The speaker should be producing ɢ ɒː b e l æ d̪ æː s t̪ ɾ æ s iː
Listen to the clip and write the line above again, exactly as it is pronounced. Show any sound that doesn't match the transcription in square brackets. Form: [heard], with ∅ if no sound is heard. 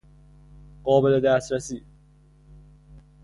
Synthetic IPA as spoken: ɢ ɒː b e l [e] d̪ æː s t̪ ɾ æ s iː